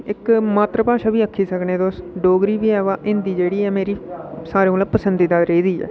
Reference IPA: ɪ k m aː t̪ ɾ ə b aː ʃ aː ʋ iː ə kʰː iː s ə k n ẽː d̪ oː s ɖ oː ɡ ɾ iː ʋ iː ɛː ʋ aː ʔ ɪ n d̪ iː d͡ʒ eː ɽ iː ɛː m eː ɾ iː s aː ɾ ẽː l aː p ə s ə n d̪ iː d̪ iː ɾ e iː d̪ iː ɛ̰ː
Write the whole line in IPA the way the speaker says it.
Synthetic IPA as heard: ɪ k m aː t̪ ɾ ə p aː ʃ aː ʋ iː ə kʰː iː s ə k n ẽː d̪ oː s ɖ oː ɡ ɾ iː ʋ iː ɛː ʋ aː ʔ ɪ n d̪ iː d͡ʒ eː ɽ iː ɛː m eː ɾ iː s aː ɾ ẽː l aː p ə s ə n d̪ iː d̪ aː ɾ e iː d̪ iː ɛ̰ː